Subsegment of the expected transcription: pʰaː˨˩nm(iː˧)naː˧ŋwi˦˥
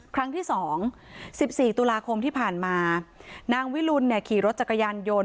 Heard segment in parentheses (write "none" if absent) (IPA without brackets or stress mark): aː˧